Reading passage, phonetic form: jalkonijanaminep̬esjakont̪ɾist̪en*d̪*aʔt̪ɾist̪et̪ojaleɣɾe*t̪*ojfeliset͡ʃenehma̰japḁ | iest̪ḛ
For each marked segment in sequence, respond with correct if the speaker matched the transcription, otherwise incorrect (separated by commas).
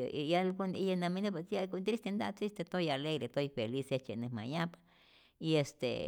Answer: correct, correct